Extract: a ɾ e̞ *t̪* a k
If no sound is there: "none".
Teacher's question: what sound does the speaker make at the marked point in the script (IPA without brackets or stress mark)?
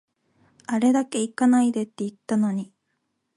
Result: d̪